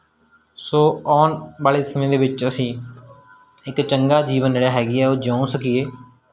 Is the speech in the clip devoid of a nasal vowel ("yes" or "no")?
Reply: no